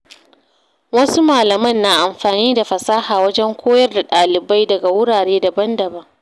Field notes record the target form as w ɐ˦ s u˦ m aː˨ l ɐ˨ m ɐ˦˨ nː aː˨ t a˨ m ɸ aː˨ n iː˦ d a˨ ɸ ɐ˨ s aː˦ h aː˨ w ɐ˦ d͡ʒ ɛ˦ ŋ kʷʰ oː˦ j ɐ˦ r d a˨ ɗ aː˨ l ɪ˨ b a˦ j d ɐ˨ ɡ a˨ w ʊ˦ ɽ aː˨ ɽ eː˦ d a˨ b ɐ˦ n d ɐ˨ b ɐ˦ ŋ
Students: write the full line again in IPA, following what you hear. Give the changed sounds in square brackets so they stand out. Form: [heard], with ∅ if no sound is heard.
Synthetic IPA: w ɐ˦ s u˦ m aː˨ l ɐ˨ m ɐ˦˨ nː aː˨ [ʔ] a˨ m ɸ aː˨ n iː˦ d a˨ ɸ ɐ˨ s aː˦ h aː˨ w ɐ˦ d͡ʒ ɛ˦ ŋ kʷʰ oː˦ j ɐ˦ r d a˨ ɗ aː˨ l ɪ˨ b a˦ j d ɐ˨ ɡ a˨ w ʊ˦ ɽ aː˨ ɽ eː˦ d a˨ b ɐ˦ n d ɐ˨ b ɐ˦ ŋ